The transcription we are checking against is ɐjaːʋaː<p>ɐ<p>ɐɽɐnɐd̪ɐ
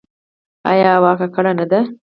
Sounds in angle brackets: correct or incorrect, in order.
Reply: incorrect: k, incorrect: k

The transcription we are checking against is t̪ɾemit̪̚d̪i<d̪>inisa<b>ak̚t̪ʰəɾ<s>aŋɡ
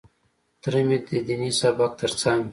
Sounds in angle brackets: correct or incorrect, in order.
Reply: correct, correct, incorrect: t͡s

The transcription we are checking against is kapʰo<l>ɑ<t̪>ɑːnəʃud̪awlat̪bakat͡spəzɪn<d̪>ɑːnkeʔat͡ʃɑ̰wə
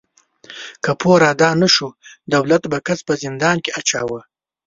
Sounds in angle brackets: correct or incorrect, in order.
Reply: incorrect: ɾ, incorrect: d̪, correct

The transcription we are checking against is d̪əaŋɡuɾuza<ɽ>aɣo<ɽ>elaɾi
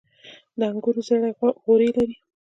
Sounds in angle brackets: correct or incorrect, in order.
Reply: correct, incorrect: ɾ

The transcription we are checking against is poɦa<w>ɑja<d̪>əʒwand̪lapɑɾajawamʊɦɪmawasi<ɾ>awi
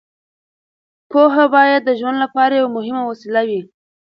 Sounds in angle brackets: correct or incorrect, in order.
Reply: incorrect: b, incorrect: d̪ː, incorrect: l

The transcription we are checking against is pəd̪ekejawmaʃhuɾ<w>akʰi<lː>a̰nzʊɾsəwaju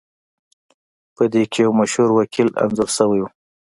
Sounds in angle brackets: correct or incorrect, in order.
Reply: correct, incorrect: l

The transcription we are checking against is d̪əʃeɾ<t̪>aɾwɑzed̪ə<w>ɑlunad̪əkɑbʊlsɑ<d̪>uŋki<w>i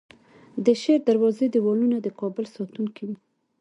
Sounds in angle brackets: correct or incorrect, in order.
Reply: incorrect: d̪, correct, incorrect: t̪, correct

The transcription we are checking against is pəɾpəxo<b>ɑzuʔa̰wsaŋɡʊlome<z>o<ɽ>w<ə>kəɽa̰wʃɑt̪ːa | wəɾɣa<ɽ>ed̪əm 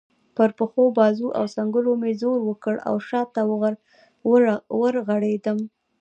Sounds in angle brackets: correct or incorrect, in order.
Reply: correct, correct, incorrect: ɾ, correct, correct

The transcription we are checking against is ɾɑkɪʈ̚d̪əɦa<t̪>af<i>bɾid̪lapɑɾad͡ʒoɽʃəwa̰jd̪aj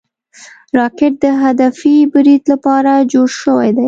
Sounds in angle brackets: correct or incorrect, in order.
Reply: incorrect: d̪, correct

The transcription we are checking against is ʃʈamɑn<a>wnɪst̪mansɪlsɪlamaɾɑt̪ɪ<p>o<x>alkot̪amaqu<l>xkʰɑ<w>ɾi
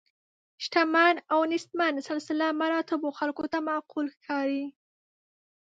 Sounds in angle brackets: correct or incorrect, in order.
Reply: correct, incorrect: b, correct, correct, incorrect: none

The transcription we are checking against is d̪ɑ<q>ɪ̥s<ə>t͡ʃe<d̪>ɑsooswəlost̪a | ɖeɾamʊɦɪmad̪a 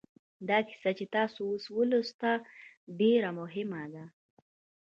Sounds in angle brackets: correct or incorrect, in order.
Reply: incorrect: k, incorrect: a, incorrect: t̪

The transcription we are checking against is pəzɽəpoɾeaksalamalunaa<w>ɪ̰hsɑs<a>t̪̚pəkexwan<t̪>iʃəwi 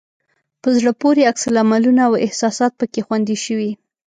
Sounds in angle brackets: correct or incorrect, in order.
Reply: correct, incorrect: ɑ, incorrect: d̪

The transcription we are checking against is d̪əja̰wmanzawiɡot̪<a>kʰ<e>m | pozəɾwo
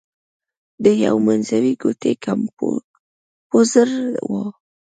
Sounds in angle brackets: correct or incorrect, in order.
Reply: incorrect: e, incorrect: a

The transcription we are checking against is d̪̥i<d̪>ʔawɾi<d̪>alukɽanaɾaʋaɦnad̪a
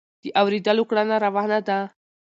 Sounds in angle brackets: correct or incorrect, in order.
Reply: incorrect: none, correct

